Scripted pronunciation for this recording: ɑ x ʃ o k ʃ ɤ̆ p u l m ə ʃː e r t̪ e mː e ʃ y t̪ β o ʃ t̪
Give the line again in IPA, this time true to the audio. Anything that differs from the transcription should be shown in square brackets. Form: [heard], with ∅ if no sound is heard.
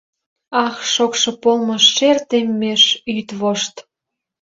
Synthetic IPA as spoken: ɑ x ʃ o k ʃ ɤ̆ p [o] l m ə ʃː e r t̪ e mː e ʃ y t̪ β o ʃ t̪